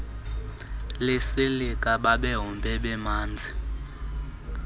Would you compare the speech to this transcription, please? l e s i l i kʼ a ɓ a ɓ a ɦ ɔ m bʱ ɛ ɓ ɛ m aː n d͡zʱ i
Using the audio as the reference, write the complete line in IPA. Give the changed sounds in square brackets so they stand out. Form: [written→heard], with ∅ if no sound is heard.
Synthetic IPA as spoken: l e s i l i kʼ a ɓ a ɓ [a→ɛ] ɦ ɔ m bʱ ɛ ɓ ɛ m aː n d͡zʱ i

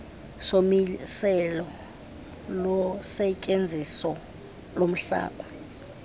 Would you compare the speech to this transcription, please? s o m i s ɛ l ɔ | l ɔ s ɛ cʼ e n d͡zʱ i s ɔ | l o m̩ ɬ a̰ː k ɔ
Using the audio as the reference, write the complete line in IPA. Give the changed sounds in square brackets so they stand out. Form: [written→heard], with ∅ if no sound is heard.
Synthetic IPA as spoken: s o m i s ɛ l ɔ | l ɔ s ɛ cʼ e n d͡zʱ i s ɔ | l o m̩ ɬ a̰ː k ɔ

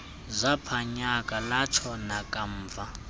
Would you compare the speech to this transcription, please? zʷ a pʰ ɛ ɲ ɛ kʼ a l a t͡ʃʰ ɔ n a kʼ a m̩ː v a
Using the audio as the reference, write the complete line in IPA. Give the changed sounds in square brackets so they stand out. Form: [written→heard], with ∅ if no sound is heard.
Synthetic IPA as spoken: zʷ a pʰ [ɛ→a] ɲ [ɛ→a] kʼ a l a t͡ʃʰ ɔ n a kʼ a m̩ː v a

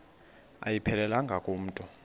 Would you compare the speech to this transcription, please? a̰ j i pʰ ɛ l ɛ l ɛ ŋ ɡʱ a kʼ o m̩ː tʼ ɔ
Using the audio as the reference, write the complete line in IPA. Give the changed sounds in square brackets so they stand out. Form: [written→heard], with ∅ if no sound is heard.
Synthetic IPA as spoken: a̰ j i pʰ ɛ l ɛ l [ɛ→a] ŋ ɡʱ a kʼ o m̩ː tʼ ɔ

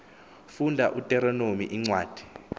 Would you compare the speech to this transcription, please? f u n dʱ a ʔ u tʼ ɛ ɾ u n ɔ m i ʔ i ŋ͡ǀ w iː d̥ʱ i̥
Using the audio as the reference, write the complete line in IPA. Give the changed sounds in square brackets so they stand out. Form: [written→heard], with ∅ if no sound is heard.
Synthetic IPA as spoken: f u n dʱ a ʔ u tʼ ɛ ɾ [u→ɔ] n [ɔ→o] m i ʔ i ŋ͡ǀ w [iː→aː] d̥ʱ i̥

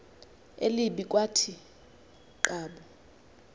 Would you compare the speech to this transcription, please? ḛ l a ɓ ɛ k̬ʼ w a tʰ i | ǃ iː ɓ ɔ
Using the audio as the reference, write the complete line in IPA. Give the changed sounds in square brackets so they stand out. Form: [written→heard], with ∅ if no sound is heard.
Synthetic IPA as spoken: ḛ l [a→i] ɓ [ɛ→i] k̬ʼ w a tʰ i | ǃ [iː→aː] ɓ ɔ

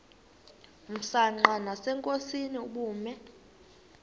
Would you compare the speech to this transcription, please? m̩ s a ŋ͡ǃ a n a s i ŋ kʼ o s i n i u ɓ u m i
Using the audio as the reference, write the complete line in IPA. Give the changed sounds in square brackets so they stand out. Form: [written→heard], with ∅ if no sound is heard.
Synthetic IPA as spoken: m̩ s a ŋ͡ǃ a n a s [i→ɛ] ŋ kʼ o s i n i u ɓ [u→uː] m [i→ɛ]

